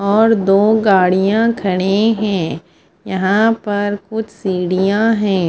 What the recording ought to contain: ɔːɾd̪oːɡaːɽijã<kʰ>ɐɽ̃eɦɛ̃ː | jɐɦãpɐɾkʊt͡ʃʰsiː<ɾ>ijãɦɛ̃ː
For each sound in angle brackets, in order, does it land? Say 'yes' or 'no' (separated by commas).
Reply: yes, no